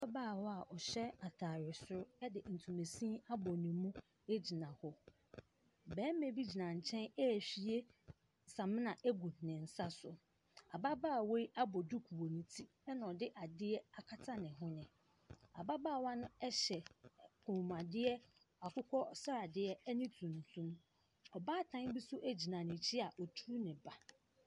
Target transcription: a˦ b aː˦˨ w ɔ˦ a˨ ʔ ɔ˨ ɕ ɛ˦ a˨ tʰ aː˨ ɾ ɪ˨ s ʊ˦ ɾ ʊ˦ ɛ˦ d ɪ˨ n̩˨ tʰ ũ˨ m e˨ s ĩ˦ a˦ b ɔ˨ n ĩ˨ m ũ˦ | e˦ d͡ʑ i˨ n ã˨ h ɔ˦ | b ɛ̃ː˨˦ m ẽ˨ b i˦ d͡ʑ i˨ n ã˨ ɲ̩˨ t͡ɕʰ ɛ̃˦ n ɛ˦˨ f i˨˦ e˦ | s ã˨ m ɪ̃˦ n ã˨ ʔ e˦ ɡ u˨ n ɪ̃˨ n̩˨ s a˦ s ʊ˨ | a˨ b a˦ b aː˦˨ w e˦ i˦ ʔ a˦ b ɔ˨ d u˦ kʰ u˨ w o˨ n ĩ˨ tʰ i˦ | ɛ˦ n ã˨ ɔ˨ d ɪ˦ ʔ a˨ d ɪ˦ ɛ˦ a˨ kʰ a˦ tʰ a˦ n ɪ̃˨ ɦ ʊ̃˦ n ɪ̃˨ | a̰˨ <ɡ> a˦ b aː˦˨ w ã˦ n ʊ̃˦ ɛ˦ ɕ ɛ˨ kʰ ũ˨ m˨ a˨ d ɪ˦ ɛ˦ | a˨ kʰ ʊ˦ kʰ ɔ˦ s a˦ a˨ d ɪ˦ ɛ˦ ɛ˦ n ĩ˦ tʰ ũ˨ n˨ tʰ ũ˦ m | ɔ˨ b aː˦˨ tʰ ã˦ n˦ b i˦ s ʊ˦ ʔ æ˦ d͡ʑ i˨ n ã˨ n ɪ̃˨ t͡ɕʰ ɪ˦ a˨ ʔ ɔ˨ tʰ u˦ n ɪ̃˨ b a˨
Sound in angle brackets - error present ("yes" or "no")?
yes